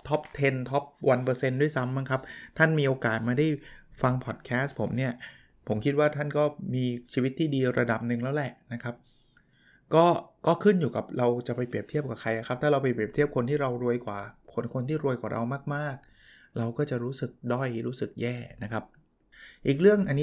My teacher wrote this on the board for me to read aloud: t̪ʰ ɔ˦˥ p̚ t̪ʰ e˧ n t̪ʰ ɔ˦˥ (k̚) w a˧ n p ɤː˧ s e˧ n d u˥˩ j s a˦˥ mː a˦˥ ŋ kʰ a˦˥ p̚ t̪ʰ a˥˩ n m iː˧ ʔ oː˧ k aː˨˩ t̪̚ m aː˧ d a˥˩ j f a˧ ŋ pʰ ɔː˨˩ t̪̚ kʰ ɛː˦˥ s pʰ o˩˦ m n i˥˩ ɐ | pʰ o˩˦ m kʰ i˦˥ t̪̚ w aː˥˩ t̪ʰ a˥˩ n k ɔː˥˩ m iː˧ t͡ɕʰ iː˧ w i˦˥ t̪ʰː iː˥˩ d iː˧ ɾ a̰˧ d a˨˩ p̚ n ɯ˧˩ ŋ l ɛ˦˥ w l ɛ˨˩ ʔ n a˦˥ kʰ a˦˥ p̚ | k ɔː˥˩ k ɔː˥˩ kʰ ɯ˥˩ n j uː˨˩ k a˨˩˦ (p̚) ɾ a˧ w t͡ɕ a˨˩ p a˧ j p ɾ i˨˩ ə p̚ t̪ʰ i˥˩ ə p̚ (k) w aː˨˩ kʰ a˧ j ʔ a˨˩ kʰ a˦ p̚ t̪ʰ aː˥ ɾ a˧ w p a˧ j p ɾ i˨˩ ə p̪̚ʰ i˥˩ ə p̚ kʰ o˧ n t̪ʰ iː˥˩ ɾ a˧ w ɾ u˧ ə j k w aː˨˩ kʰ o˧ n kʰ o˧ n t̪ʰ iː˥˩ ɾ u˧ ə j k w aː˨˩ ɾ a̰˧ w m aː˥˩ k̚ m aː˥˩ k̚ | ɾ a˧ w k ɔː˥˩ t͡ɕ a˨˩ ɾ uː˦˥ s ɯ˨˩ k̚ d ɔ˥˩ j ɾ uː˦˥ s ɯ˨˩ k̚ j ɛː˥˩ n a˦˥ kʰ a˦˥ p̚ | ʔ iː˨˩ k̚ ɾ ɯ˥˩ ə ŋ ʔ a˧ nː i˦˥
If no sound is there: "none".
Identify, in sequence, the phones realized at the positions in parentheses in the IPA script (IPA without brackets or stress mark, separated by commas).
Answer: p̚, p̚, k